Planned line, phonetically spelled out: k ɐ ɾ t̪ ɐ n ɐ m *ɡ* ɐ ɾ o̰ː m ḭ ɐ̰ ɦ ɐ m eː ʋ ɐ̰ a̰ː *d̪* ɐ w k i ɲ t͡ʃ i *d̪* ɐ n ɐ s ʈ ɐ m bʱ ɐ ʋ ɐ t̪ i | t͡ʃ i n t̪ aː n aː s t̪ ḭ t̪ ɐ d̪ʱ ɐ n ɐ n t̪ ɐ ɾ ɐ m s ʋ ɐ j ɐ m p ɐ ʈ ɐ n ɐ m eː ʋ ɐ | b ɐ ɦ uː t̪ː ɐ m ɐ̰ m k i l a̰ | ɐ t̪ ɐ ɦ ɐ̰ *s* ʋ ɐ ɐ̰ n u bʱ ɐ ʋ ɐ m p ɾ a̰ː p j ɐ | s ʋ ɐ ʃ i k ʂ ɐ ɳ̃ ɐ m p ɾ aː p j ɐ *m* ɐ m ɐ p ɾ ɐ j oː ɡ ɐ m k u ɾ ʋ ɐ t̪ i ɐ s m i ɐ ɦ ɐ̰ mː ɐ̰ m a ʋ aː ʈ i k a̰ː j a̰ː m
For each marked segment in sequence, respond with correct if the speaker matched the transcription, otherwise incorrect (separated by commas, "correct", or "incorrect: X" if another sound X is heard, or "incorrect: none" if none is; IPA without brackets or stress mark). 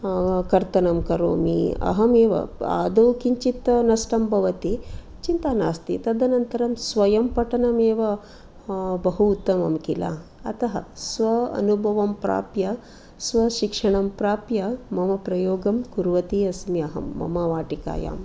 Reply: incorrect: k, correct, incorrect: t̪, correct, correct